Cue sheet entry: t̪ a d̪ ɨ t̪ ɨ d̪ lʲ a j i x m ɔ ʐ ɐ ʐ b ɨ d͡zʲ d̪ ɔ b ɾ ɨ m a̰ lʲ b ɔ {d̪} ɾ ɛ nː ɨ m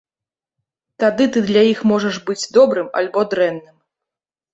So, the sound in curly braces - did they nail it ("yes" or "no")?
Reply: yes